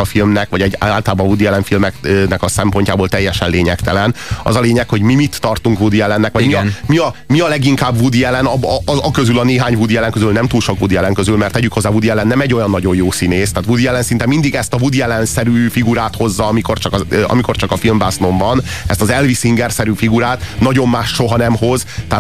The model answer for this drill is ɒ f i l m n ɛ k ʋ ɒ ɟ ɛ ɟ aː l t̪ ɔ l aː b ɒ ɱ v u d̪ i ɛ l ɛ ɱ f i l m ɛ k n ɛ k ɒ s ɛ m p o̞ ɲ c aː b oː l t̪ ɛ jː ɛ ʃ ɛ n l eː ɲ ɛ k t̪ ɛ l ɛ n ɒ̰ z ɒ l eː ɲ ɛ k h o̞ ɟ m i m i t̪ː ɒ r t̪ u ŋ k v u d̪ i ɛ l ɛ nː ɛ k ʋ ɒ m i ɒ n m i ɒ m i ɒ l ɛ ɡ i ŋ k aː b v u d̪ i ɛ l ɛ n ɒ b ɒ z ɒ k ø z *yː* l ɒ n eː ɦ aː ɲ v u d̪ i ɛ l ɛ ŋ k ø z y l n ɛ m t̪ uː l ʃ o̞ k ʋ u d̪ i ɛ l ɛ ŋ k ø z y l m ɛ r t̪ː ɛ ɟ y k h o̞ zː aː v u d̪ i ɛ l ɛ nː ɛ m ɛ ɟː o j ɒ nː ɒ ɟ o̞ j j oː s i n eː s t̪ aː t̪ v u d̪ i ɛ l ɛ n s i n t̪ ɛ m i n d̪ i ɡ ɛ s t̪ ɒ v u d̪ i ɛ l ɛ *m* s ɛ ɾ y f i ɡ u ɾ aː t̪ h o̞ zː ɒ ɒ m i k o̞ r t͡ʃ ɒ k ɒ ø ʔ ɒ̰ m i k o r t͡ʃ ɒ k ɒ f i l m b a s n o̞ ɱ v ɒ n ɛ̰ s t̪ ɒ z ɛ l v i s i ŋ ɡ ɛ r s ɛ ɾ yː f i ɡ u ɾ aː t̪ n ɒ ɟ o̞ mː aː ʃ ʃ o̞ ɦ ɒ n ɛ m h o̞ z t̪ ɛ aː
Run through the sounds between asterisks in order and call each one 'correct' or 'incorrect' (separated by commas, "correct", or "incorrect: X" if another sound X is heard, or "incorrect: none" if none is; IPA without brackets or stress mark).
incorrect: y, incorrect: n